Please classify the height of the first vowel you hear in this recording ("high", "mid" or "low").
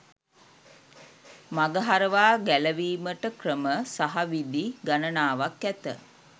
low